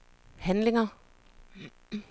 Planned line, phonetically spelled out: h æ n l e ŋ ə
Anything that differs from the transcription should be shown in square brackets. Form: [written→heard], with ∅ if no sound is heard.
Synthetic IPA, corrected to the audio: h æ n l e ŋ [ə→ɐ]